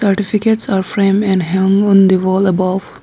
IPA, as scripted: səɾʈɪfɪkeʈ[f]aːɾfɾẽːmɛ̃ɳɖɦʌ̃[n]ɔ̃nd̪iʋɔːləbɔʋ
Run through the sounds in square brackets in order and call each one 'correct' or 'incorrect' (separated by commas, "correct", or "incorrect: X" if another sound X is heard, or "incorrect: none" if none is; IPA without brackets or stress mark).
incorrect: s, incorrect: ŋ